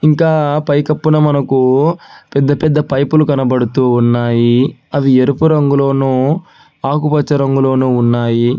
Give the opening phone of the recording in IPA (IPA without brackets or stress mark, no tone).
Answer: i